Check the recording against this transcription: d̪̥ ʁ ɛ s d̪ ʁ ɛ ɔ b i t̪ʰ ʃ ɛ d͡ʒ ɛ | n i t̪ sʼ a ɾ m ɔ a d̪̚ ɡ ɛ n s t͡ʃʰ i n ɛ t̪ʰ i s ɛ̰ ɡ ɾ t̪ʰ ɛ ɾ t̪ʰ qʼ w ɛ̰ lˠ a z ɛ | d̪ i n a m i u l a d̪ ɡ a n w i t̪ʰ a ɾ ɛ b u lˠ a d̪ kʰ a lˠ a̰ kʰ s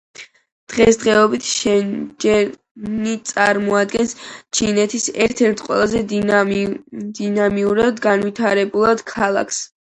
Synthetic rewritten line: d̪̥ ʁ ɛ s d̪ ʁ ɛ ɔ b i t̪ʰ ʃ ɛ d͡ʒ ɛ | n i t̪ sʼ a ɾ m ɔ a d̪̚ ɡ ɛ n s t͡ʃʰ i n ɛ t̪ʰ i s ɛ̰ ɾ t̪ʰ ɛ ɾ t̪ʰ qʼ w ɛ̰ lˠ a z ɛ | d̪ i n a m i u ɾ a d̪ ɡ a n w i t̪ʰ a ɾ ɛ b u lˠ a d̪ kʰ a lˠ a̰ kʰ s